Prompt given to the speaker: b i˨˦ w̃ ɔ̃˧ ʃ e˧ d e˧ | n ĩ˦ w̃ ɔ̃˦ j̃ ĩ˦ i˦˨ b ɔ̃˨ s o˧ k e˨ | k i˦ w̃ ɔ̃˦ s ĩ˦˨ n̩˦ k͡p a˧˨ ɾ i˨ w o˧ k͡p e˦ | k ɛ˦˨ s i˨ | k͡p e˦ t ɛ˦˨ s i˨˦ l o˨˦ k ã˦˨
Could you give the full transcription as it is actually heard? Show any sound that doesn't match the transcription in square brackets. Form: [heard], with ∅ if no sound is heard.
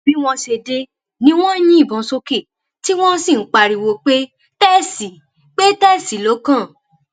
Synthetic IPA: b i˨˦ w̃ ɔ̃˧ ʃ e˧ d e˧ | n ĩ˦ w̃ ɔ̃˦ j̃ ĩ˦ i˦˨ b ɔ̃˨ s o˧ k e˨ | [t] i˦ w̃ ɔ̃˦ s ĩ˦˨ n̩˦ k͡p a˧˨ ɾ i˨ w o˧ k͡p e˦ | [t] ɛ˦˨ s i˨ | k͡p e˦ t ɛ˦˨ s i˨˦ l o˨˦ k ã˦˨